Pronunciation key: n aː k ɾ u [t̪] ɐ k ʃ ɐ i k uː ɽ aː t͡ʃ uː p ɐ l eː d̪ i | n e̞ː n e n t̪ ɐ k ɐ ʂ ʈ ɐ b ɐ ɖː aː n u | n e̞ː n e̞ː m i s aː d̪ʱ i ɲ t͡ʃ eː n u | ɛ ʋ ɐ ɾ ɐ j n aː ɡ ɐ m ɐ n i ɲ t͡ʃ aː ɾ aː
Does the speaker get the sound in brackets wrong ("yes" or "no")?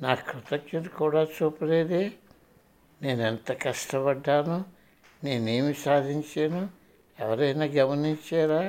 no